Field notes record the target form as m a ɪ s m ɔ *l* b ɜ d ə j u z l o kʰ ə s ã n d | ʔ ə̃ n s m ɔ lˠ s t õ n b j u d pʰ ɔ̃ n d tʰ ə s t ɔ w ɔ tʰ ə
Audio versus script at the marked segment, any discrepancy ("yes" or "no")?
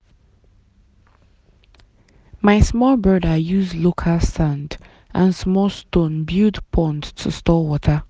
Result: no